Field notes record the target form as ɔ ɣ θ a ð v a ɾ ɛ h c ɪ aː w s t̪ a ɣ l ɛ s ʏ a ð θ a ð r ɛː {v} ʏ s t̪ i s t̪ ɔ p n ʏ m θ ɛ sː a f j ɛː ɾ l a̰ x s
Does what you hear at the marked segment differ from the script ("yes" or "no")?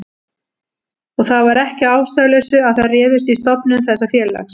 yes